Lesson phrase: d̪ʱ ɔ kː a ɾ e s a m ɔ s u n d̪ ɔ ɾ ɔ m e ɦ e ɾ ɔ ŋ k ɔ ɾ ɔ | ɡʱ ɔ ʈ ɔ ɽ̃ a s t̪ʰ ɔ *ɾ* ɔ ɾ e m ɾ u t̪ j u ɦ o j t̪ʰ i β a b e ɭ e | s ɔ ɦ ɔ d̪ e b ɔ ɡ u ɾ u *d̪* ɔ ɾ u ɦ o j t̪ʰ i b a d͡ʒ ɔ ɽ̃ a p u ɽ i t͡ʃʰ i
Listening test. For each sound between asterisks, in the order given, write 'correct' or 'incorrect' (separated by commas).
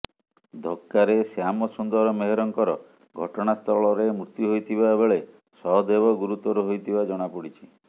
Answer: incorrect, incorrect